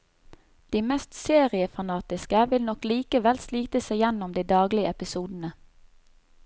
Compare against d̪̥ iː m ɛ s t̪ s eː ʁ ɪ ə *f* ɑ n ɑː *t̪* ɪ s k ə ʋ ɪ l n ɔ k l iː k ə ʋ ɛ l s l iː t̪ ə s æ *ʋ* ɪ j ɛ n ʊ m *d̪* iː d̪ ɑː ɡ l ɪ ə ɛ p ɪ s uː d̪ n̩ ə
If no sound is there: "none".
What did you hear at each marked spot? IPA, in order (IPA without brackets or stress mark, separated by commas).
f, t̪, none, d̪